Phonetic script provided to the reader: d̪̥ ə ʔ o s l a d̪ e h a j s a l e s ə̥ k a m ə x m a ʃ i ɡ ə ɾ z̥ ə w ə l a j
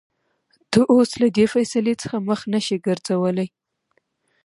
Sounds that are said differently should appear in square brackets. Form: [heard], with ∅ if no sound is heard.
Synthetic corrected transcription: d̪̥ ə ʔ o s l a d̪ e [f] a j s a l e [t͡s] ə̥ [x] a m ə x [n] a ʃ i ɡ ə ɾ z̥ [a] w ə l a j